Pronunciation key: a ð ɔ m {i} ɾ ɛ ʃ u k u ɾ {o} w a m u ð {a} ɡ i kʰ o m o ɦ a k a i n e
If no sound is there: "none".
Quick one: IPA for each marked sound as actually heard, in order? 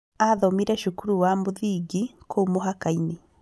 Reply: i, u, i

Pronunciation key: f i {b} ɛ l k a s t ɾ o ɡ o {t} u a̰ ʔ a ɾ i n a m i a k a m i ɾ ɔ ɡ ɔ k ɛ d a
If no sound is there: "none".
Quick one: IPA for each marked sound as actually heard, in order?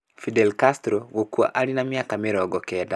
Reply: d, k

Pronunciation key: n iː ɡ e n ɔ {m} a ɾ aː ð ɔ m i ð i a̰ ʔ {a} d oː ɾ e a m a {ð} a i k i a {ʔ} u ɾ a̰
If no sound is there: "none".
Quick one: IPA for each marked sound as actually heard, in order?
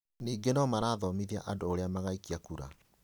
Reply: m, a, ɣ, k

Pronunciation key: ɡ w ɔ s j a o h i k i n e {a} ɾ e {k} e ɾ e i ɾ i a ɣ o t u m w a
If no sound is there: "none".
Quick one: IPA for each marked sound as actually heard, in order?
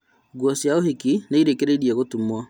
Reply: i, k

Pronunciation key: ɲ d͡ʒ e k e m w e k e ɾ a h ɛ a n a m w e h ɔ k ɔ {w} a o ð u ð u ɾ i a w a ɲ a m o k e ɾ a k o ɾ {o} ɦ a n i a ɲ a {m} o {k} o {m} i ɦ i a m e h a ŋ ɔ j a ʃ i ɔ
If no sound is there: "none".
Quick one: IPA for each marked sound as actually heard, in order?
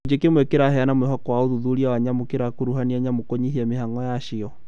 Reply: w, u, m, k, ɲ

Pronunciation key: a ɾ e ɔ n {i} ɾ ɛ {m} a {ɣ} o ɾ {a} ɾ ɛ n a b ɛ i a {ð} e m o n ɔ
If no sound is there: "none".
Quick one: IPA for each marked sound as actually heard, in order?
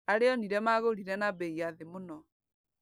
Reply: i, m, ɣ, i, ð

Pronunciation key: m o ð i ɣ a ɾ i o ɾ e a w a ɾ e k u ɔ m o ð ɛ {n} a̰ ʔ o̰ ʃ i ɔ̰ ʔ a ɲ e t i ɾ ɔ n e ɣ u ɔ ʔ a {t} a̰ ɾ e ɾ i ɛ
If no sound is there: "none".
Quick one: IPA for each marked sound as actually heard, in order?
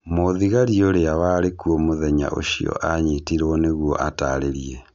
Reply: ɲ, t

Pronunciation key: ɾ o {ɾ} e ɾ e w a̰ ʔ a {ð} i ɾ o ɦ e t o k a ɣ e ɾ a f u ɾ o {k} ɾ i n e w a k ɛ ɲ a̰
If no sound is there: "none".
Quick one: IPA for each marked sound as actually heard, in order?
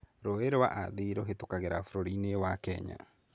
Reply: none, ð, none

